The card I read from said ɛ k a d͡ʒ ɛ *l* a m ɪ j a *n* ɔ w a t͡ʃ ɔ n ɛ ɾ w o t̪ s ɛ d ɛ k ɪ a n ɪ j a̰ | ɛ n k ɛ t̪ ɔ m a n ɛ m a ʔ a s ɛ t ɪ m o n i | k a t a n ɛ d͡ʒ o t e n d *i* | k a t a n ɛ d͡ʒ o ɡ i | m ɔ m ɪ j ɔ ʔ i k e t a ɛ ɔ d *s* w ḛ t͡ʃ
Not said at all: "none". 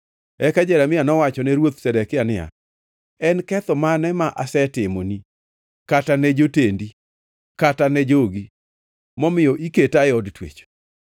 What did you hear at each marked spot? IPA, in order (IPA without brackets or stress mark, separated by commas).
ɾ, n, i, t